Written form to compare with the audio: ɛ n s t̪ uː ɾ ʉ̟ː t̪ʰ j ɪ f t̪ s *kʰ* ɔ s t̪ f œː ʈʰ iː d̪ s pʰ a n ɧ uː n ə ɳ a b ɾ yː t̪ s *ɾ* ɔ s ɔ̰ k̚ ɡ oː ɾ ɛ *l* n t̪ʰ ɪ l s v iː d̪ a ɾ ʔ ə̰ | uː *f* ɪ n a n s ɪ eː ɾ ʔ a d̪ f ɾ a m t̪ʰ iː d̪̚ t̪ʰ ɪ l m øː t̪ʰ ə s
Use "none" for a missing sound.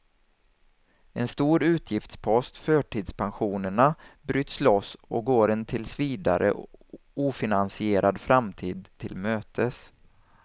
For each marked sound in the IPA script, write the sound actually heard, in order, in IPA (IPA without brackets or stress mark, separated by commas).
pʰ, l, none, f